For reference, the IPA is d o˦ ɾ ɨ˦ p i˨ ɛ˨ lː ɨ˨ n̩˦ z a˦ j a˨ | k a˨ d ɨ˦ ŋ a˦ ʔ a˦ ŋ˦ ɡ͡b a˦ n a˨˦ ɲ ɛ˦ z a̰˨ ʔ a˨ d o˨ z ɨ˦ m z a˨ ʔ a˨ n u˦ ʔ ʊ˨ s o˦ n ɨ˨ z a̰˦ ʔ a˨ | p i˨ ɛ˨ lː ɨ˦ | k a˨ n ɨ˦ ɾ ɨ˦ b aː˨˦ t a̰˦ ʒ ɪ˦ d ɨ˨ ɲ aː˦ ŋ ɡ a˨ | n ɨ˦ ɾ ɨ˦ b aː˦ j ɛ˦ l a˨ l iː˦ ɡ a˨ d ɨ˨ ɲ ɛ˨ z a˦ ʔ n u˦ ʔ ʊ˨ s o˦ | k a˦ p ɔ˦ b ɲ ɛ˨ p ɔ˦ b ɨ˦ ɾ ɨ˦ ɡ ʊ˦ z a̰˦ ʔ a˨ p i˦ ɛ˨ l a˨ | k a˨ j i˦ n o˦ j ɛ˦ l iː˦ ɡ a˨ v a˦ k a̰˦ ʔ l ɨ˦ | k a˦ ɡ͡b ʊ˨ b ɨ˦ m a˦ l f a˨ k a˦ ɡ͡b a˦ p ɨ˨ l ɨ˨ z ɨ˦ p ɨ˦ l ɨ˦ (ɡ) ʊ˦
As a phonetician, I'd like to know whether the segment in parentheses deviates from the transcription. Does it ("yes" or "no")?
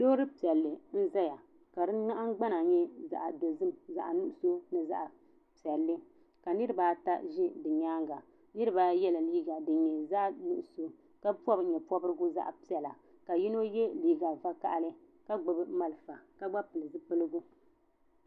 no